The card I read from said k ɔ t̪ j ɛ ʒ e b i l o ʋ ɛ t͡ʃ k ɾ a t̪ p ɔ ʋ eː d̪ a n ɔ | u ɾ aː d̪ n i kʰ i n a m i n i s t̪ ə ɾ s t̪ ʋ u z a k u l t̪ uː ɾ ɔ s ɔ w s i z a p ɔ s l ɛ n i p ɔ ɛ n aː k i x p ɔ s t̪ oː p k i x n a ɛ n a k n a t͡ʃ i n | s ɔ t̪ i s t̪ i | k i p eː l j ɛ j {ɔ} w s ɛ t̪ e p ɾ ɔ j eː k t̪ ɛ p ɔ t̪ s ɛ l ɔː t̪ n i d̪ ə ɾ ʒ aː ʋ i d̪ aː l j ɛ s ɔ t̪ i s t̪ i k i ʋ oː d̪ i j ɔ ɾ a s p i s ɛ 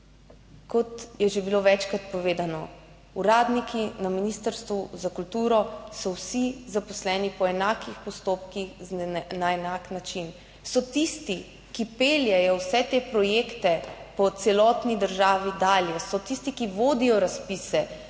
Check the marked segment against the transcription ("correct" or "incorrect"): correct